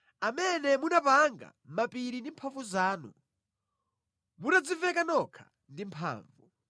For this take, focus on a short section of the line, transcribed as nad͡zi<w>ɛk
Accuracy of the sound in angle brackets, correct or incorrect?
incorrect